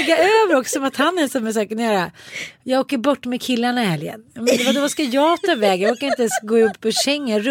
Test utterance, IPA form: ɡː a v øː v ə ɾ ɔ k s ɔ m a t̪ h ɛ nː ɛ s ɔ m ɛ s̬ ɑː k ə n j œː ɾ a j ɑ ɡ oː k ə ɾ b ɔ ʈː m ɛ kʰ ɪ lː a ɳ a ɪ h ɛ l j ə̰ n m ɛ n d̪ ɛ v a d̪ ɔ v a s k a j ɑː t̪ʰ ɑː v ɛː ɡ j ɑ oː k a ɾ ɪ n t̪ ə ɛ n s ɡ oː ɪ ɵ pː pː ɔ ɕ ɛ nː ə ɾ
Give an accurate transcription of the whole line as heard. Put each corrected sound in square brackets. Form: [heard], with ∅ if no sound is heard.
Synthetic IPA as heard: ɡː a [∅] øː v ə ɾ ɔ k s ɔ m a t̪ h [a] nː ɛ s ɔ m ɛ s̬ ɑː k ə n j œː ɾ a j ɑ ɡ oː k ə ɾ b ɔ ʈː m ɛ kʰ ɪ lː a ɳ a ɪ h ɛ l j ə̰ n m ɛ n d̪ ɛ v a d̪ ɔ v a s k a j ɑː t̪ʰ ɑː v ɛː ɡ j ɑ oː k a ɾ ɪ n t̪ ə ɛ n s ɡ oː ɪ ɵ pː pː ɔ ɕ ɛ [ŋː] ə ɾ